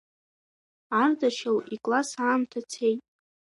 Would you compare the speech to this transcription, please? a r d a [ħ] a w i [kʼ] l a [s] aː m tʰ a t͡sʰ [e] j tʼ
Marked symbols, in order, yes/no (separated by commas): no, yes, yes, yes